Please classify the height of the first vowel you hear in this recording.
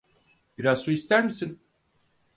high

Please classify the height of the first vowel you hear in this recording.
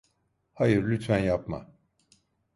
low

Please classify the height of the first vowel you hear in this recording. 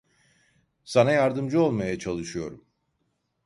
low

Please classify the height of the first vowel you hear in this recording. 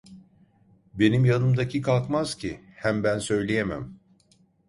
mid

